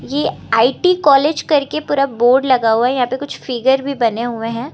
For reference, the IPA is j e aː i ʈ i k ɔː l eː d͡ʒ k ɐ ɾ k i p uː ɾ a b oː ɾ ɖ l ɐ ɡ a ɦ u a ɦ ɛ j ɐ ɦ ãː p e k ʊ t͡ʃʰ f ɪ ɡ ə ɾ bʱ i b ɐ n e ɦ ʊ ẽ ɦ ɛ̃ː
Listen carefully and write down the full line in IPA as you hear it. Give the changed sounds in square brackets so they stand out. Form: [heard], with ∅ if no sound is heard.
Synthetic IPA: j e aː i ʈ i k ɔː l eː d͡ʒ k ɐ ɾ k [e] p uː ɾ a b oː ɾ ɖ l ɐ ɡ a ɦ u a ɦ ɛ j ɐ ɦ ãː p e k ʊ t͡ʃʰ f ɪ ɡ ə ɾ bʱ i b ɐ n e ɦ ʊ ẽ ɦ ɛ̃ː